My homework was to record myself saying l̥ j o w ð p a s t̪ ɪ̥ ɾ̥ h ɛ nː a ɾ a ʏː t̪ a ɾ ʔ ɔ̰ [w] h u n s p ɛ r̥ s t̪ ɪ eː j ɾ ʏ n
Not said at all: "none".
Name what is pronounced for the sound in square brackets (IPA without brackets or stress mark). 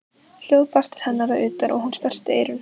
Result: ɣ